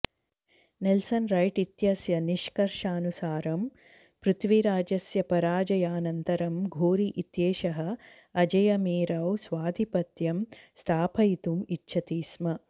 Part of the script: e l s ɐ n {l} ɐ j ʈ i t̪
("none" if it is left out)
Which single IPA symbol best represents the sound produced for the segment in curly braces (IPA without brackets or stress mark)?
ɾ